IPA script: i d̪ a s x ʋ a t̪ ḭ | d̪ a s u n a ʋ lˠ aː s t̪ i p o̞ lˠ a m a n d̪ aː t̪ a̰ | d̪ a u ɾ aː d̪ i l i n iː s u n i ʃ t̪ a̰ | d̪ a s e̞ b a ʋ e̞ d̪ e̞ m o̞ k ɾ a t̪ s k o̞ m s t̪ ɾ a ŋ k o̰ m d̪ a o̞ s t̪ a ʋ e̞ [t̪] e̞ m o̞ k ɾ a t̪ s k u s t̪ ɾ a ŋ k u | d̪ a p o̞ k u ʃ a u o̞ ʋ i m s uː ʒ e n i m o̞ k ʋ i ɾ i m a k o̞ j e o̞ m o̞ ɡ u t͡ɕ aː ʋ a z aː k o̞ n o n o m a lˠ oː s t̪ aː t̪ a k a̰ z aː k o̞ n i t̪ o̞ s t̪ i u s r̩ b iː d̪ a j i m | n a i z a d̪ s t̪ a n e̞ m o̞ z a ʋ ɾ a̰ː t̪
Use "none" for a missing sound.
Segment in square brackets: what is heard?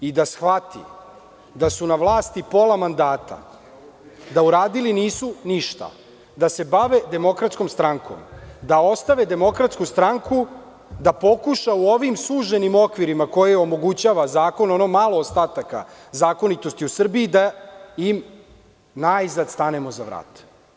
d̪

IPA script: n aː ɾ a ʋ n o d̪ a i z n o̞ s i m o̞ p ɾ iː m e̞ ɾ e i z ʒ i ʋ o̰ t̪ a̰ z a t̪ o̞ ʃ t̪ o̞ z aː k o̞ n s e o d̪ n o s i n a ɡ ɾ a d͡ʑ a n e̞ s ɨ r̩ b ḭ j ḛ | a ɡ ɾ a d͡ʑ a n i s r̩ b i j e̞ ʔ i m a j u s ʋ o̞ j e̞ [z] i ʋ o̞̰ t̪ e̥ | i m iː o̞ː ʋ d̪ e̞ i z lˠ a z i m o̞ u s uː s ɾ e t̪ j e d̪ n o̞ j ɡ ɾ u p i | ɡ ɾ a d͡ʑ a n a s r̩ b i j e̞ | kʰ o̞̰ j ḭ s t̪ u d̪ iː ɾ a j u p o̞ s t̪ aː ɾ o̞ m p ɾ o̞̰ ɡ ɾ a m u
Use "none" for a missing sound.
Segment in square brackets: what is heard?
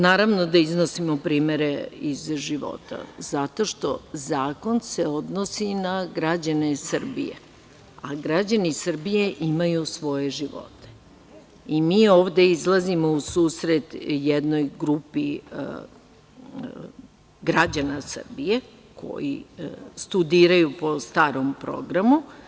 ʒ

